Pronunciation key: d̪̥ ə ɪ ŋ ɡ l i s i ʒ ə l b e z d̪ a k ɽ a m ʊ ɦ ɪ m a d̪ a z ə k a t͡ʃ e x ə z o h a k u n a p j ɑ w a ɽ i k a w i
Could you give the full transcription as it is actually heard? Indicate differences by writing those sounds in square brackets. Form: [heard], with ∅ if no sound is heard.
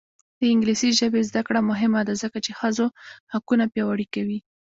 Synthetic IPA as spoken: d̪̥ ə ɪ ŋ ɡ l i s i ʒ ə [∅] b e z d̪ a k ɽ a m ʊ ɦ ɪ m a d̪ a z ə k a t͡ʃ e x ə z o h a k u n a p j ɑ w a ɽ i k a w i